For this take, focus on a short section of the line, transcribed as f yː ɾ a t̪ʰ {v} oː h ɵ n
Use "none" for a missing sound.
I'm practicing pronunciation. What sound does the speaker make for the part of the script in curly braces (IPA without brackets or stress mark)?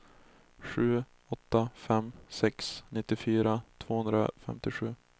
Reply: v